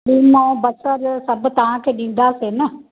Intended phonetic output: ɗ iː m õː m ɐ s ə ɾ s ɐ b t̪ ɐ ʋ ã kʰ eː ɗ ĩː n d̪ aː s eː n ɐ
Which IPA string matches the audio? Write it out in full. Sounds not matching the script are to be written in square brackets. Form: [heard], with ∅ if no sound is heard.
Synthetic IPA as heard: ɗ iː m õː [b] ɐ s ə ɾ s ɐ b t̪ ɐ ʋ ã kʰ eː ɗ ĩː n d̪ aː s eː n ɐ